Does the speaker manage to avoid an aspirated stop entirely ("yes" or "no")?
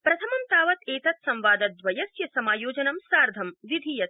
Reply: no